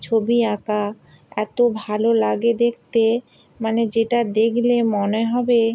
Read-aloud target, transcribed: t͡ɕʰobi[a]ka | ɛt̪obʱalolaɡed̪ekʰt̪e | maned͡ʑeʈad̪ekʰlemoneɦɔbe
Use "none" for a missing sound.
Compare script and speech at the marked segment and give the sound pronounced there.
a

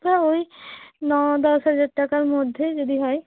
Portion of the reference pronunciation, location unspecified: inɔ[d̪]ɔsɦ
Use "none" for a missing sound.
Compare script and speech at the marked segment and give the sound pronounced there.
d̪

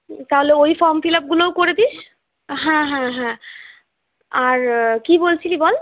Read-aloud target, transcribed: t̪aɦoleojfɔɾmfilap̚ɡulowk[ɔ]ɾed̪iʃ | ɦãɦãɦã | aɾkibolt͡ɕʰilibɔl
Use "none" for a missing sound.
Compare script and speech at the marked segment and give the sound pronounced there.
o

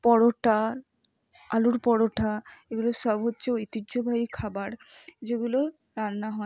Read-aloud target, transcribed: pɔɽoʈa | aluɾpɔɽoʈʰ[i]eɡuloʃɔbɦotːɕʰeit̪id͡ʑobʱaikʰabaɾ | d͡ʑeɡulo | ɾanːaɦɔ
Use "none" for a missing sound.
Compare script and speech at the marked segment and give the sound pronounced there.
a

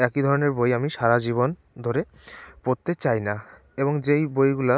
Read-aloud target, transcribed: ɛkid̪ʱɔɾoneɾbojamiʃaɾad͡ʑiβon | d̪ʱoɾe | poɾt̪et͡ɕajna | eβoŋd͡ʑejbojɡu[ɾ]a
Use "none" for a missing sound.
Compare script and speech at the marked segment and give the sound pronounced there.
l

